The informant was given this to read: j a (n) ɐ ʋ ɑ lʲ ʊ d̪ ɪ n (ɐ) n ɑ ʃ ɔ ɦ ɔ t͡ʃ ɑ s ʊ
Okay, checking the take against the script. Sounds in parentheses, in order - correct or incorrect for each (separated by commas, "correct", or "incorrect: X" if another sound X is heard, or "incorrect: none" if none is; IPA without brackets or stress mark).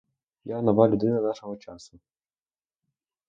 correct, correct